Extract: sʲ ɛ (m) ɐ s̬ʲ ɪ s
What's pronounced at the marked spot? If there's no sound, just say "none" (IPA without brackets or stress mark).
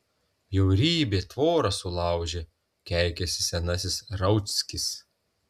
n